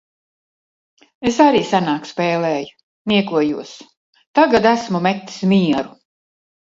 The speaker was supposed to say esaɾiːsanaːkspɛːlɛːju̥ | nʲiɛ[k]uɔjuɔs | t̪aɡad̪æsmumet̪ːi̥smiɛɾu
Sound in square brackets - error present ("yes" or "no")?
no